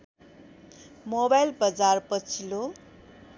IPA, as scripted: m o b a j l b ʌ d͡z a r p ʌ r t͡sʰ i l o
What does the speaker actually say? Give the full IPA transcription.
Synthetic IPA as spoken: m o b a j l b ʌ d͡z a r p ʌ t͡sʰ i l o